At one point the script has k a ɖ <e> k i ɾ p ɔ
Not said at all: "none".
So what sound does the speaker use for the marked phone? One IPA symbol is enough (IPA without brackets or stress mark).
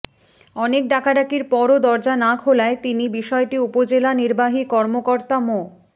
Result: a